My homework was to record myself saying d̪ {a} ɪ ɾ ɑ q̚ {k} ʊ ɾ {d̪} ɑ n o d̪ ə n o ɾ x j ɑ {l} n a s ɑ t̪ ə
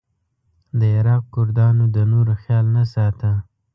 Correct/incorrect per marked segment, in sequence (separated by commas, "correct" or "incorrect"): incorrect, correct, correct, correct